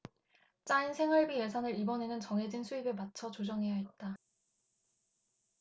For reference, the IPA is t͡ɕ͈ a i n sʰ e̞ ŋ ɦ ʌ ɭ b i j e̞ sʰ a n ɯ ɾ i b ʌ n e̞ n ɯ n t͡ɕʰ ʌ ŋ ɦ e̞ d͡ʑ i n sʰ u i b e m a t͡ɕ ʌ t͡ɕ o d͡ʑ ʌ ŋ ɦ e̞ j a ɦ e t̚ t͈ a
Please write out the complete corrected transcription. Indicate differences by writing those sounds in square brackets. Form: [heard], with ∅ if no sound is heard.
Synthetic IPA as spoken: t͡ɕ͈ a i n sʰ e̞ ŋ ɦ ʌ ɭ b i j e̞ sʰ a n ɯ ɾ i b ʌ n e̞ n ɯ n [t͡ɕ] ʌ ŋ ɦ e̞ d͡ʑ i n sʰ u i b e m a [t͡ɕʰ] ʌ t͡ɕ o d͡ʑ ʌ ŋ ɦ e̞ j a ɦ e t̚ t͈ a